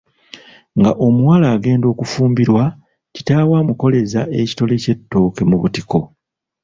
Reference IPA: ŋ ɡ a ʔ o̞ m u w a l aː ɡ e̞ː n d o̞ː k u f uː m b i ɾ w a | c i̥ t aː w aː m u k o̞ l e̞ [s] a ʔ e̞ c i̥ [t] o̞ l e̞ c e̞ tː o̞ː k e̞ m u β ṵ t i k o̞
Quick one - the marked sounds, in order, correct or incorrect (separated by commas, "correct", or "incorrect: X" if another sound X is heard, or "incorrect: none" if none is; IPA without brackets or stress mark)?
incorrect: z, correct